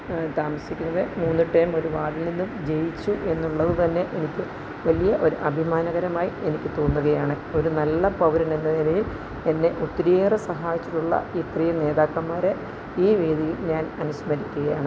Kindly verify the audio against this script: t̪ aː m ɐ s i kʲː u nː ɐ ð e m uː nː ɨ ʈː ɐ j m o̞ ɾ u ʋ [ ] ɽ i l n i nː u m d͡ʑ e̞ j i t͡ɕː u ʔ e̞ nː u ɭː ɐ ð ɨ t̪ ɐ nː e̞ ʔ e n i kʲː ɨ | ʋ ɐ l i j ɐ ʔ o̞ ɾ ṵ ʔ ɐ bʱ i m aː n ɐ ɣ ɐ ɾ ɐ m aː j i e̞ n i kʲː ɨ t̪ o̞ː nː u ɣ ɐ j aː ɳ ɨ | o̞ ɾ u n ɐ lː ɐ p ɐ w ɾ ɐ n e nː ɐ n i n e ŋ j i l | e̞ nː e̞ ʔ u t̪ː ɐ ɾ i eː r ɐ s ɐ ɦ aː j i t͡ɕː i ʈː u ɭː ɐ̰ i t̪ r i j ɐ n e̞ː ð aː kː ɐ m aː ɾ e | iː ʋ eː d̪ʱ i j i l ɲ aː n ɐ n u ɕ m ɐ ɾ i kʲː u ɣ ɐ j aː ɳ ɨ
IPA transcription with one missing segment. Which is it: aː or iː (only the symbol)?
aː